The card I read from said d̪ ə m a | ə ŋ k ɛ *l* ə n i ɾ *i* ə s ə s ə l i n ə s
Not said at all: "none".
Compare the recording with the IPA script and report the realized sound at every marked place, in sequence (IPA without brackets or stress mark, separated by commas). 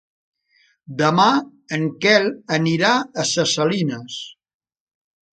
l, a